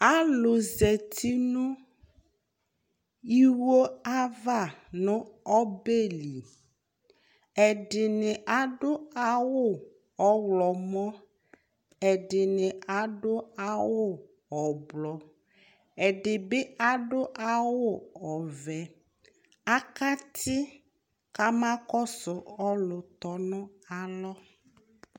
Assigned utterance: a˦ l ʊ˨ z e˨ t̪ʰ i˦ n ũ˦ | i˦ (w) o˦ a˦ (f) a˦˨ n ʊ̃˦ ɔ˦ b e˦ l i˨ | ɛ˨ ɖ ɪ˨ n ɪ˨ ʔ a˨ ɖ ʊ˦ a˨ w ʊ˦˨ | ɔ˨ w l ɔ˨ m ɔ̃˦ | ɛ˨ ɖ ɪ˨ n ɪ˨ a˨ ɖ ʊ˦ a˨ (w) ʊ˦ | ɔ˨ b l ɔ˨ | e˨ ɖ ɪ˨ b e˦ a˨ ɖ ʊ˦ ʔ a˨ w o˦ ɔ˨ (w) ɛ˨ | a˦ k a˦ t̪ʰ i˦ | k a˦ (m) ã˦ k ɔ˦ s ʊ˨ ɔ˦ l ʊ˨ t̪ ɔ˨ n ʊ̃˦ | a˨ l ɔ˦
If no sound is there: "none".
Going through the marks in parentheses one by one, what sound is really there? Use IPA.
w, v, w, v, m

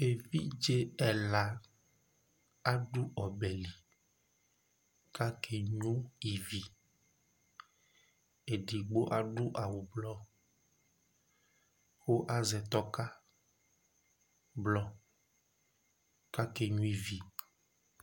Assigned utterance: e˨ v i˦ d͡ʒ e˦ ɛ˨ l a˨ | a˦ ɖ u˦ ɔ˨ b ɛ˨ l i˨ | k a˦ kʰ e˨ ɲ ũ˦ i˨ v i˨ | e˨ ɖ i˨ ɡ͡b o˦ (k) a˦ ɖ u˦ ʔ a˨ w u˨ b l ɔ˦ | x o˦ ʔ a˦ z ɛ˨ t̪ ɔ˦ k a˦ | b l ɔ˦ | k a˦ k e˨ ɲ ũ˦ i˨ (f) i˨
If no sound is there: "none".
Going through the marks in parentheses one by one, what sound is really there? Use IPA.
ʔ, v

